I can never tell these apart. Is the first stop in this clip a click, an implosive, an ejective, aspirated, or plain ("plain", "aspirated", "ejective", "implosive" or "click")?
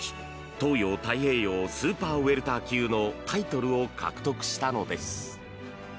plain